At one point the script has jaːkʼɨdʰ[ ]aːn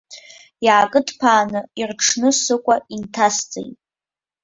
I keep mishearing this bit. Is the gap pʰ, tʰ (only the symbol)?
pʰ